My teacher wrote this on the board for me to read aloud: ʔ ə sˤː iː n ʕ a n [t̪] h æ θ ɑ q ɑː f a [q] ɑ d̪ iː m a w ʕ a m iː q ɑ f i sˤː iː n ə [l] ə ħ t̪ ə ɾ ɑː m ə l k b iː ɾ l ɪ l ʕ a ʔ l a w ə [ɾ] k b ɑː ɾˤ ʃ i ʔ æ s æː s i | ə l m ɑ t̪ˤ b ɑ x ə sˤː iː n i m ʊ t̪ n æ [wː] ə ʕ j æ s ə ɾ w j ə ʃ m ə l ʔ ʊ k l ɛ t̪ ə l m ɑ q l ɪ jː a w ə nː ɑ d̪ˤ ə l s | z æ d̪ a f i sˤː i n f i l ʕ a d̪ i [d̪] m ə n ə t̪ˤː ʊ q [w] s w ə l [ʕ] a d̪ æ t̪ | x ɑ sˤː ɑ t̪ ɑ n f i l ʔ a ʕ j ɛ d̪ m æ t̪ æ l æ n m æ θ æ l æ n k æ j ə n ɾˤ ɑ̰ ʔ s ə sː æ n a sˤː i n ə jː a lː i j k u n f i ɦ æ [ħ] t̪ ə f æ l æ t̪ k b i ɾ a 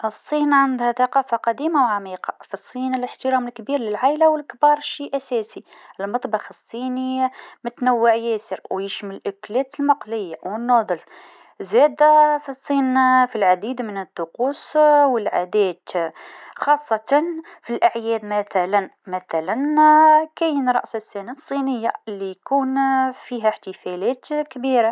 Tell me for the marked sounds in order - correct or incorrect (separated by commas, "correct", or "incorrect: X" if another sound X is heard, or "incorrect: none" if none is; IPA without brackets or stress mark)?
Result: incorrect: d̪, correct, correct, incorrect: l, correct, correct, incorrect: u, correct, correct